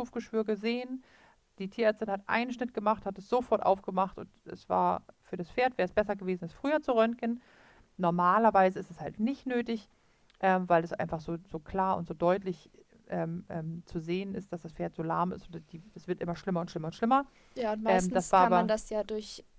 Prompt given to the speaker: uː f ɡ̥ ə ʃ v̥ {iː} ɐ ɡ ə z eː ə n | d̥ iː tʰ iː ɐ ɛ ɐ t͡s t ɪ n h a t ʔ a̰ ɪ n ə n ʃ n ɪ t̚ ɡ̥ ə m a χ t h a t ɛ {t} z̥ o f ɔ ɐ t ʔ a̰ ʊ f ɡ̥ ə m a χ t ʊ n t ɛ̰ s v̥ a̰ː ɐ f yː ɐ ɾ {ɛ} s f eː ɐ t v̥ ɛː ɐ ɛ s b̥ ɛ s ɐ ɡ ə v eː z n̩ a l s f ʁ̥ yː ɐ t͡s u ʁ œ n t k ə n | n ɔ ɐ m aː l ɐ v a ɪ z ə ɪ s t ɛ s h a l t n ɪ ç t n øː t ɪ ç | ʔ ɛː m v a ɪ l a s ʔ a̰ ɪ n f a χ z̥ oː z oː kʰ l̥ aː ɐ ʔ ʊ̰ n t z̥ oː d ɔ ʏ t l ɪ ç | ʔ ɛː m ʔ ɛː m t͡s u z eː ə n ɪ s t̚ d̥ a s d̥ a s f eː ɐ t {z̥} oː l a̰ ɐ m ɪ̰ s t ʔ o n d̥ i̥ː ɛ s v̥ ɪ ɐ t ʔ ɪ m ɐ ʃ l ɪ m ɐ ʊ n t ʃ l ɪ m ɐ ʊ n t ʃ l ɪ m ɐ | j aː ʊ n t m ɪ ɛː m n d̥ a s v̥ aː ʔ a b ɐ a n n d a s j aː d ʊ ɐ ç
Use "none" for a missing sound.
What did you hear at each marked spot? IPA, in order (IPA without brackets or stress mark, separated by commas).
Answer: yː, s, a, z̥